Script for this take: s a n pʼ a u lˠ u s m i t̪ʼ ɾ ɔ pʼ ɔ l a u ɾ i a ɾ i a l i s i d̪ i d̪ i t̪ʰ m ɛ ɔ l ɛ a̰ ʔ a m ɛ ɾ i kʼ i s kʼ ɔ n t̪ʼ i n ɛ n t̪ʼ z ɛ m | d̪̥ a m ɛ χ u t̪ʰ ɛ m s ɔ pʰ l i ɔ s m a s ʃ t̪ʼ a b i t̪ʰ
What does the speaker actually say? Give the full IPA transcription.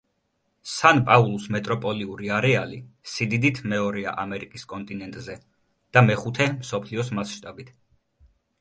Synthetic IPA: s a n pʼ a u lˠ u s m ɛ t̪ʼ ɾ ɔ pʼ ɔ l i u ɾ i a ɾ ɛ a l i s i d̪ i d̪ i t̪ʰ m ɛ ɔ ɾ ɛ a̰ ʔ a m ɛ ɾ i kʼ i s kʼ ɔ n t̪ʼ i n ɛ n t̪ʼ z ɛ | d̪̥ a m ɛ χ u t̪ʰ ɛ m s ɔ pʰ l i ɔ s m a s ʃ t̪ʼ a b i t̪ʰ